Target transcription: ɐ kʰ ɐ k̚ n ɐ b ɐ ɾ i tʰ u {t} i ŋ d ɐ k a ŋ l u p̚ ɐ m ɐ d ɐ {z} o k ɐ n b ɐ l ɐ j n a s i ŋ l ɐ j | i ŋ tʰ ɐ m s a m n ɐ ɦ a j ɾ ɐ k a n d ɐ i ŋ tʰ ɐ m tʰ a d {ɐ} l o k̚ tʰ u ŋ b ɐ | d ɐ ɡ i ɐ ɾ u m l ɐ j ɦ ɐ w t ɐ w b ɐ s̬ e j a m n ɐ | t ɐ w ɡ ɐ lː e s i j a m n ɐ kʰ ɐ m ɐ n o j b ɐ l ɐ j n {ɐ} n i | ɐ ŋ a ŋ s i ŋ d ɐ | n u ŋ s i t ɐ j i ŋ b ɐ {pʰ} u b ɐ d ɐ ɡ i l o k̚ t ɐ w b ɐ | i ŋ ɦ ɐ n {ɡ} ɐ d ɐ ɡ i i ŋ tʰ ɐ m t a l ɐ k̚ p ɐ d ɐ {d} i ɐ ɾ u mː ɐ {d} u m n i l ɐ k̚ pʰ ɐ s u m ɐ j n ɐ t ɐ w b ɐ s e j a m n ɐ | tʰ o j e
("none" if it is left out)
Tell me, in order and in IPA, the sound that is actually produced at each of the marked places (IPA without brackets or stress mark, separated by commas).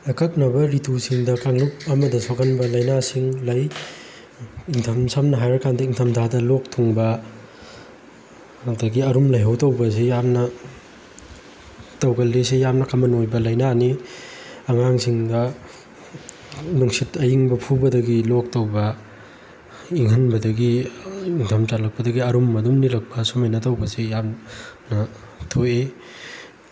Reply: s, s, ɐ, a, pʰ, b, ɡ, d